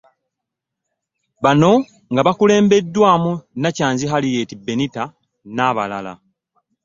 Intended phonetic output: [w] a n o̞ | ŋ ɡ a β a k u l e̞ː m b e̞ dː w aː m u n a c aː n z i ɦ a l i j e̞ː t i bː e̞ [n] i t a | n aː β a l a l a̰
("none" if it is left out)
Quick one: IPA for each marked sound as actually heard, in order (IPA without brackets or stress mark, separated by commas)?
β, n